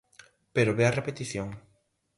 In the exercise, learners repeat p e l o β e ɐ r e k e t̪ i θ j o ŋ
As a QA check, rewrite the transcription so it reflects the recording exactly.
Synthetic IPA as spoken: p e ɾ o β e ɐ r e p e t̪ i θ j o ŋ